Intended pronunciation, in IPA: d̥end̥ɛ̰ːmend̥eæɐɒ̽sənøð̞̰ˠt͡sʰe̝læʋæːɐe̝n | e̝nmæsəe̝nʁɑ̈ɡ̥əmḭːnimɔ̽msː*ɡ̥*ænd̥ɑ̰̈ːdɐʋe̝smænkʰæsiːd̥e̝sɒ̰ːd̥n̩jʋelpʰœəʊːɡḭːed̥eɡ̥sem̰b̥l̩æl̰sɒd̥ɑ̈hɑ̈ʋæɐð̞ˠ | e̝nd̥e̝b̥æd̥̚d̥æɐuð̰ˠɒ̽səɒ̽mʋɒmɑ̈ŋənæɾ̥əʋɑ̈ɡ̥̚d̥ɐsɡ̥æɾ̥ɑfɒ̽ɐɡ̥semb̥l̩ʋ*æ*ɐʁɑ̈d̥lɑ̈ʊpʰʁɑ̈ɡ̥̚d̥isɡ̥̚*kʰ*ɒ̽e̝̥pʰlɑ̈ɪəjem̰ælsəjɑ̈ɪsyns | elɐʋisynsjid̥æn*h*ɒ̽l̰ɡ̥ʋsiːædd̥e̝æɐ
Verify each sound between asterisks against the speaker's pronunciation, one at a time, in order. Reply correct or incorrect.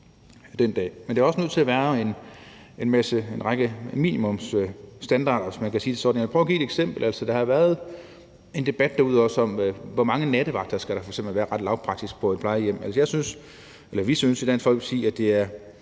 incorrect: d̥, incorrect: æː, incorrect: pʰ, incorrect: f

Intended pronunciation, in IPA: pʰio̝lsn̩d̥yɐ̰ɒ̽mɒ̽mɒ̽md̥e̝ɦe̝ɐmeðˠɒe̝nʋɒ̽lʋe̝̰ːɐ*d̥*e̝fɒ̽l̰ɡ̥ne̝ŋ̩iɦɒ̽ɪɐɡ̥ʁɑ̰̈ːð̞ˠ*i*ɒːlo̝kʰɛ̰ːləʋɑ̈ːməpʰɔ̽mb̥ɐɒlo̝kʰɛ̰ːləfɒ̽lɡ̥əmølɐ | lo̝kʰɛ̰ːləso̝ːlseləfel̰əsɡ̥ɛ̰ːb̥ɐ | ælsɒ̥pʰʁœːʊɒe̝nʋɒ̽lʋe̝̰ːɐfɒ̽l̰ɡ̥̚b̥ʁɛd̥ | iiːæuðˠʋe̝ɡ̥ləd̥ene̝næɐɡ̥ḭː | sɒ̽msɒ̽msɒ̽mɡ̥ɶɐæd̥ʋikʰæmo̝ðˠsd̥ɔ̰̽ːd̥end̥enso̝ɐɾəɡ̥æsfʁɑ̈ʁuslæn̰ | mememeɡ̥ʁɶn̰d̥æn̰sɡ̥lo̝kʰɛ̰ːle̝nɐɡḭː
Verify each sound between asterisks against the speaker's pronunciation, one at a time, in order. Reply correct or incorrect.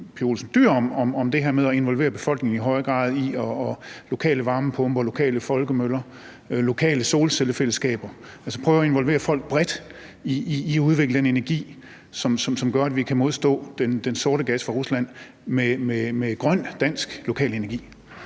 incorrect: b̥, correct

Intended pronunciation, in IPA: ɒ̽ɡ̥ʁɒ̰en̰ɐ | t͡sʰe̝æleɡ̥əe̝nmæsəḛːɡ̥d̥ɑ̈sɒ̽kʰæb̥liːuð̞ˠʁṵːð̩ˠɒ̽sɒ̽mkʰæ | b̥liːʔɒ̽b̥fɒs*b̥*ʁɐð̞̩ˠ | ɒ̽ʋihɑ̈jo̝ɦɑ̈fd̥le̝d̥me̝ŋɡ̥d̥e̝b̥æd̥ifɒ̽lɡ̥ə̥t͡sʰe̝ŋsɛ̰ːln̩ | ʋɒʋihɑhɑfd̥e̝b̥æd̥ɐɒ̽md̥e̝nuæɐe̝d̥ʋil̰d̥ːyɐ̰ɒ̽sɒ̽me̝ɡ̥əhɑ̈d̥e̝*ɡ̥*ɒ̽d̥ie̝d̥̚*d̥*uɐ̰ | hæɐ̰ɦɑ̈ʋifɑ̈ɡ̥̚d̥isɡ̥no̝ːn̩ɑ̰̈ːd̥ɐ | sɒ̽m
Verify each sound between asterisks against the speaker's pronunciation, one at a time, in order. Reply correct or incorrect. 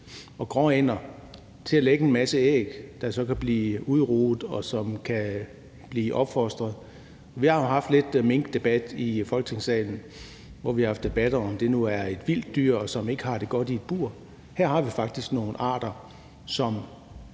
incorrect: d̥, correct, incorrect: b̥

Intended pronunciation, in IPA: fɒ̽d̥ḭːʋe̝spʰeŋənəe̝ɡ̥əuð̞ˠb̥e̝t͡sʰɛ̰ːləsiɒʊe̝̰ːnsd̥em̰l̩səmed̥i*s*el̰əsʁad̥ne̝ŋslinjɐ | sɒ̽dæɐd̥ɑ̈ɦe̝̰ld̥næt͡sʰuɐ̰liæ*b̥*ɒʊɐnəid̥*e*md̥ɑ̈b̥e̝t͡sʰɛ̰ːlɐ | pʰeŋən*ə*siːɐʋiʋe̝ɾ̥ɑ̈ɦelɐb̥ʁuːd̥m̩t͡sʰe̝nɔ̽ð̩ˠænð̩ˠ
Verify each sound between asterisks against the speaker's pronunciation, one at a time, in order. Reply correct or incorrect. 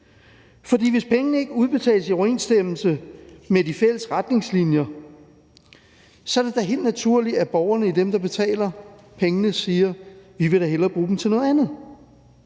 incorrect: f, correct, correct, correct

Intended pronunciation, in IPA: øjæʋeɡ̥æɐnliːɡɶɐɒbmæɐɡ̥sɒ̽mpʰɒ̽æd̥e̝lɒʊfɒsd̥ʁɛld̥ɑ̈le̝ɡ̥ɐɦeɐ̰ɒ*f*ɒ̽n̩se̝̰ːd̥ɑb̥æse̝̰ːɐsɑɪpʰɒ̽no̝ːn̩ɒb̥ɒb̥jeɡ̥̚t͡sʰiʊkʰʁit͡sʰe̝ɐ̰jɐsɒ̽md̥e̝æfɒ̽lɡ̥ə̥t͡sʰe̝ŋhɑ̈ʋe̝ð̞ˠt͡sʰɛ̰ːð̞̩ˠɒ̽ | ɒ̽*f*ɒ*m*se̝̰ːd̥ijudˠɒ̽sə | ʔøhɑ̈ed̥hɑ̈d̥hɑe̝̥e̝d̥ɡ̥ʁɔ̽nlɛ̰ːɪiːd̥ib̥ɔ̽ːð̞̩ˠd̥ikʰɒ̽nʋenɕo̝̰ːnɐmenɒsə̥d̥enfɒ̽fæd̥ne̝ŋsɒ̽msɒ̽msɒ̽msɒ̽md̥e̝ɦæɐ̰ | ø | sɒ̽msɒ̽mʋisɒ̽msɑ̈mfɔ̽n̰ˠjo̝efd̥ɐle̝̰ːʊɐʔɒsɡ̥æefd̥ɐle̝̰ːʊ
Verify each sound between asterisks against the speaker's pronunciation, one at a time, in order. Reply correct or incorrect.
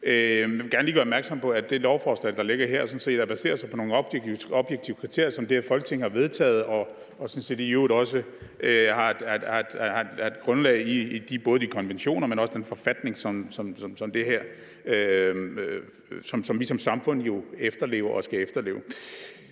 incorrect: s, incorrect: s, incorrect: n

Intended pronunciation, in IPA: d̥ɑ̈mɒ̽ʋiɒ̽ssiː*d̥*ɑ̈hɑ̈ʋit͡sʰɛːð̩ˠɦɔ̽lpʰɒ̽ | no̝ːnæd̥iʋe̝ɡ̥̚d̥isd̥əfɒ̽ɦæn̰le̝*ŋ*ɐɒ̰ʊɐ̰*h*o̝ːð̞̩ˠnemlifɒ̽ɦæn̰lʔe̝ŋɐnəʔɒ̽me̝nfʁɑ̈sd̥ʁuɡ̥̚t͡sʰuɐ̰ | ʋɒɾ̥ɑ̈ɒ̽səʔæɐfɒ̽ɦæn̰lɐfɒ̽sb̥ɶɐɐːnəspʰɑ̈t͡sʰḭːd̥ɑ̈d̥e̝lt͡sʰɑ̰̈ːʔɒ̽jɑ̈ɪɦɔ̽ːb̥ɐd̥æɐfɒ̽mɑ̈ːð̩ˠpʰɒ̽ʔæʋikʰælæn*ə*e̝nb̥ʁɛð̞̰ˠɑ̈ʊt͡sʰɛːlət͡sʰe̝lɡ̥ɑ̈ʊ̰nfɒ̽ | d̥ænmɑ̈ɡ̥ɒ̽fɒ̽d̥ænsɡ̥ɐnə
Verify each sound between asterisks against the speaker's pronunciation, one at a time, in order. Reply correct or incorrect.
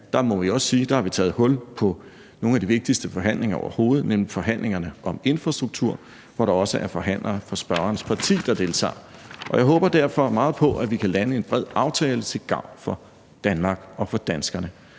correct, correct, correct, correct

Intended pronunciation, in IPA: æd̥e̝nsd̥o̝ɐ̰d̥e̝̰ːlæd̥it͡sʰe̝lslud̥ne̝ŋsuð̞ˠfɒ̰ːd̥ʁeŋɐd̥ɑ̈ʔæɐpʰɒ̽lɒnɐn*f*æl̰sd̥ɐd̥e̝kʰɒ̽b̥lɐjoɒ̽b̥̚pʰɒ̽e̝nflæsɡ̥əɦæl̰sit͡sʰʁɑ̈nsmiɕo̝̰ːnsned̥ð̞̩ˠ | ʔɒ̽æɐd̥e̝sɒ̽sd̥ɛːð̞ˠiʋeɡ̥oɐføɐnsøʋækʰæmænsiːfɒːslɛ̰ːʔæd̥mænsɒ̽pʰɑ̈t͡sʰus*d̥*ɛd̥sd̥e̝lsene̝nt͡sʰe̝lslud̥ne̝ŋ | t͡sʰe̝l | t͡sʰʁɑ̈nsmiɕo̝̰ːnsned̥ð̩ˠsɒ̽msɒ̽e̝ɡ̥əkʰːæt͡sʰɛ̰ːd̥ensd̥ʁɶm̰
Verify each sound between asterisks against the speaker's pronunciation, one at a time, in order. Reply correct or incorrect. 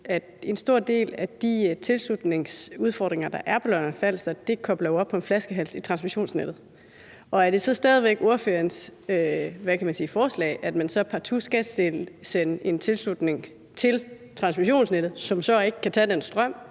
correct, incorrect: ɡ̥

